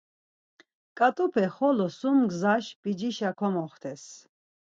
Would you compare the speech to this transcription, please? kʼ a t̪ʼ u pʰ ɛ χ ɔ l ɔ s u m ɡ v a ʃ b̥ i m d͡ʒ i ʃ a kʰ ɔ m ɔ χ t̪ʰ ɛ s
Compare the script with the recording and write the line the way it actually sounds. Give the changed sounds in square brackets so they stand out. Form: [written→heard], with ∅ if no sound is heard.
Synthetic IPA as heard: kʼ a t̪ʼ u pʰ ɛ χ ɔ l ɔ s u m ɡ [v→z] a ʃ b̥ i [m→∅] d͡ʒ i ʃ a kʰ ɔ m ɔ χ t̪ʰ ɛ s